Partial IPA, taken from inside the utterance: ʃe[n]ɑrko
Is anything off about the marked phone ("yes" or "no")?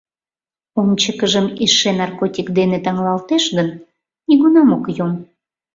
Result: no